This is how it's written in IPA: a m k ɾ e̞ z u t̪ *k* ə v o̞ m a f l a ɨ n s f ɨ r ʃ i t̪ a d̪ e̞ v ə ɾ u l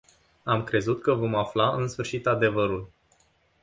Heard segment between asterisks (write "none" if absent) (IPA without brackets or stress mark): k